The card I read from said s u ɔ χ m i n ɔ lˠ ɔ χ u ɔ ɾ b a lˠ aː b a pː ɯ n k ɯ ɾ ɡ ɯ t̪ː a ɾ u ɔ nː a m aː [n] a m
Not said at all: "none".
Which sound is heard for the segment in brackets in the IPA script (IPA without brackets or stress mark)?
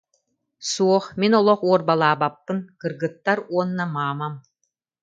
m